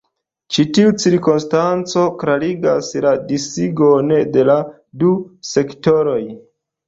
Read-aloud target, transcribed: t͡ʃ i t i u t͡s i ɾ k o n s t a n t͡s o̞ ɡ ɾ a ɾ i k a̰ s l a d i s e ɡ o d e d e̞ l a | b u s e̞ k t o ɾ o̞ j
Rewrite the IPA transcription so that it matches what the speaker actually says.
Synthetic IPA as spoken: t͡ʃ i t i u t͡s i ɾ k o n s t a n t͡s o̞ k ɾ a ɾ i ɡ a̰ s l a d i s i ɡ o n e d e̞ l a | d u s e̞ k t o ɾ o̞ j